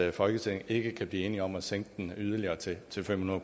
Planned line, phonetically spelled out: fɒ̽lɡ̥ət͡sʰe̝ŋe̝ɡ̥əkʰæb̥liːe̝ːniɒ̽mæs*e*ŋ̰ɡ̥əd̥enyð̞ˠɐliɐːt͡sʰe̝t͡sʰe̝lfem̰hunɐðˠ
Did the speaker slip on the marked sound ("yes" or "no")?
no